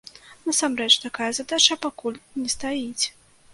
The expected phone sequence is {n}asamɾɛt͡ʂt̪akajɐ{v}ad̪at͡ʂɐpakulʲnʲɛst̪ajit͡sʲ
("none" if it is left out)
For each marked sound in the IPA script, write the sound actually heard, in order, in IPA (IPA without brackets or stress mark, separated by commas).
n, z